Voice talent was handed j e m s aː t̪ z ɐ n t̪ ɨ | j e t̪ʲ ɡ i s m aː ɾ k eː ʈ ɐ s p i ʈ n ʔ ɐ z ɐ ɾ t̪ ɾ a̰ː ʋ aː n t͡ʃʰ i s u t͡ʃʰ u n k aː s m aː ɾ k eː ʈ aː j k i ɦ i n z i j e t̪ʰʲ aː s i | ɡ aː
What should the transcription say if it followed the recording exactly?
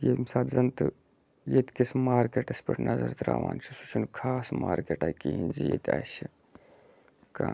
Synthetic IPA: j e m s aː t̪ z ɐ n t̪ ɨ | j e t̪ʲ k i s m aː ɾ k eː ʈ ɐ s p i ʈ n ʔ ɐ z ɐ ɾ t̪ ɾ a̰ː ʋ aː n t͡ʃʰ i s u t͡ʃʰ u n kʰ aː s m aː ɾ k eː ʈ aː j k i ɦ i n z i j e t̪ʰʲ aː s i | k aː

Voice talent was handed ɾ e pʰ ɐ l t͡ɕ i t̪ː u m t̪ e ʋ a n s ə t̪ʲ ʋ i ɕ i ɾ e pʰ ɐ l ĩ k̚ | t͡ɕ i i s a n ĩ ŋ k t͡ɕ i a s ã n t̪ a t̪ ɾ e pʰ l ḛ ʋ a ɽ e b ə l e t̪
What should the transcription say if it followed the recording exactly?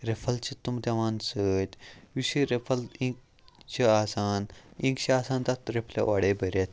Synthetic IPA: ɾ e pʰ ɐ l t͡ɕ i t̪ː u m t̪ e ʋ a n s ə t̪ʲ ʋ i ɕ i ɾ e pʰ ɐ l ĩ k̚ | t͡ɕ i a s a n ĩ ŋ k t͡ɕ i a s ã n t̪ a t̪ ɾ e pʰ l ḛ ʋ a ɽ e b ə ɾ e t̪

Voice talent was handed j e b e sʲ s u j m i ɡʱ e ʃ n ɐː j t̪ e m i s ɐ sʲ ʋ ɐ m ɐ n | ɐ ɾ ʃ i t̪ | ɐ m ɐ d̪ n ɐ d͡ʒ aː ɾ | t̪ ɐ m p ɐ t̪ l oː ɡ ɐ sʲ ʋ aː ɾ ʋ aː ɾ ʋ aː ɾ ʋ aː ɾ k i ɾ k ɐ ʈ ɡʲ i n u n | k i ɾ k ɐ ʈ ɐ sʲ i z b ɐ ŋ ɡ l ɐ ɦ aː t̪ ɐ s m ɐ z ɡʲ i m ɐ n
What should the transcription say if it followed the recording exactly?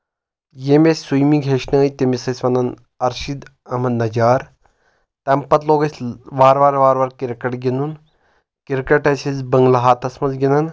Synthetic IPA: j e m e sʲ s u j m i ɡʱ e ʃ n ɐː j t̪ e m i s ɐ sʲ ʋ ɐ n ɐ n | ɐ ɾ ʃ i d̪ | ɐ m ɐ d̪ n ɐ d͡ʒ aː ɾ | t̪ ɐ m p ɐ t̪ l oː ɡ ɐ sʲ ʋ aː ɾ ʋ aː ɾ ʋ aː ɾ ʋ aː ɾ k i ɾ k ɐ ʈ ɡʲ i n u n | k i ɾ k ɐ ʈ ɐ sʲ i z b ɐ ŋ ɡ l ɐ ɦ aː t̪ ɐ s m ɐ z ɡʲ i n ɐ n

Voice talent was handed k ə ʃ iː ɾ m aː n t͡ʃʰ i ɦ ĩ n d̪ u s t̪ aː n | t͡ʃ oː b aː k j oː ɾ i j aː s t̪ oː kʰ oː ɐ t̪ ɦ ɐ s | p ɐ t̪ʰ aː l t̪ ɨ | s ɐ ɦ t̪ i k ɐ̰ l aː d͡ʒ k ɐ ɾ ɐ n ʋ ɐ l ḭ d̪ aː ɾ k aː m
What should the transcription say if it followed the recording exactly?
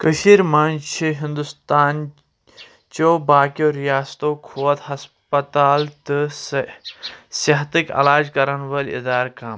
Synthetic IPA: k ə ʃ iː ɾ m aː n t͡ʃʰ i ɦ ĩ n d̪ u s t̪ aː n | t͡ʃ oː b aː k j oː ɾ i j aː s t̪ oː kʰ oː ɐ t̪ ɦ ɐ s | p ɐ t̪ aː l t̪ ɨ | s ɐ ɦ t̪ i k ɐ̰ l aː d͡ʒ k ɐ ɾ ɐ n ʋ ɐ l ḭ d̪ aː ɾ k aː m

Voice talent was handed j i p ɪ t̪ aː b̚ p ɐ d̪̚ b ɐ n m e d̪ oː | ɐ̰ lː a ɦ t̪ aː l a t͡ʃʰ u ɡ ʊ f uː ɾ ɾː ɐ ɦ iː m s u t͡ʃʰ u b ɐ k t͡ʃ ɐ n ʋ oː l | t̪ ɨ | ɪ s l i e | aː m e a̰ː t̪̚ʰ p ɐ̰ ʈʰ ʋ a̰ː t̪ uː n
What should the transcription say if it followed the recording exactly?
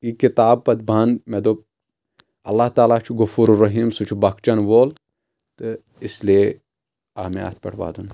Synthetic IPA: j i k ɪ t̪ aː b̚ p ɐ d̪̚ b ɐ n m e d̪ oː | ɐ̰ lː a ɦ t̪ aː l a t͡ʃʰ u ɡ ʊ f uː ɾ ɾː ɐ ɦ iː m s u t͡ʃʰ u b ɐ k t͡ʃ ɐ n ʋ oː l | t̪ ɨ | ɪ s l i e | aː m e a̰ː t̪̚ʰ p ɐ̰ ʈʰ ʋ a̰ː d̪ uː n

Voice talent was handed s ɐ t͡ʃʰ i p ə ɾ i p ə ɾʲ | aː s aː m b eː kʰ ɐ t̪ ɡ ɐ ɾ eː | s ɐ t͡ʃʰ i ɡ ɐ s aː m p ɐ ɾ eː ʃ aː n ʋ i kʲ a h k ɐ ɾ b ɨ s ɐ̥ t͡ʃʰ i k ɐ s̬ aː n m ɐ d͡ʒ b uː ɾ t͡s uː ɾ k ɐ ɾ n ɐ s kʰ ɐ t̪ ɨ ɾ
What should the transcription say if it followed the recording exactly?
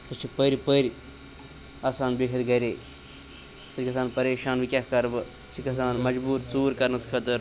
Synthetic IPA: s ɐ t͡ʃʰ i p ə ɾ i p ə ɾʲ | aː s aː n b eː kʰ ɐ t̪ ɡ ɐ ɾ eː | s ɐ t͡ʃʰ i k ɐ s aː n p ɐ ɾ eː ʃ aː n ʋ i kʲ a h k ɐ ɾ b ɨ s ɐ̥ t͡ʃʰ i k ɐ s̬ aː n m ɐ d͡ʒ b uː ɾ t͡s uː ɾ k ɐ ɾ n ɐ s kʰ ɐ t̪ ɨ ɾ

